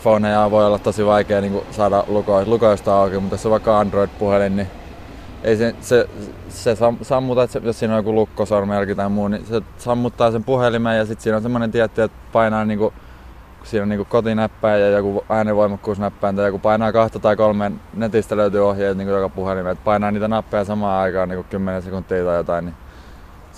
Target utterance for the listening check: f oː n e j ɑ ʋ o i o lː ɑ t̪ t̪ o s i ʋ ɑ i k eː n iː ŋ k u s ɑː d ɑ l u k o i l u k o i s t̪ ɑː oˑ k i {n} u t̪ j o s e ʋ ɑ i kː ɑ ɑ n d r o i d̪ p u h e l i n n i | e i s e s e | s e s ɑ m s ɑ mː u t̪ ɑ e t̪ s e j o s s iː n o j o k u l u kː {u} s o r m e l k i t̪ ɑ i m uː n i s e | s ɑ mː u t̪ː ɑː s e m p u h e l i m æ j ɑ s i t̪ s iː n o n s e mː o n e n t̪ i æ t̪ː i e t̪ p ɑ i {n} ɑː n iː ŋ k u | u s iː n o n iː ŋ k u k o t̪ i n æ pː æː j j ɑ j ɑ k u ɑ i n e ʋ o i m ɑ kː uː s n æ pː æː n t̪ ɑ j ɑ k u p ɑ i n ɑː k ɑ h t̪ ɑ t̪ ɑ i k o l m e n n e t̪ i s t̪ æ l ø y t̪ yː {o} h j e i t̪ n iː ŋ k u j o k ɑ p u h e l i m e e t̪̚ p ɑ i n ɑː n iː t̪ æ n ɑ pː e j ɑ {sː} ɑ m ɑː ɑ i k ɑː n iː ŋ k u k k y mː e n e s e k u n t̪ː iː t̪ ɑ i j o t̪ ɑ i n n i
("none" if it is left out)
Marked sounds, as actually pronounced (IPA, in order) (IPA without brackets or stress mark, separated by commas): m, o, n, o, s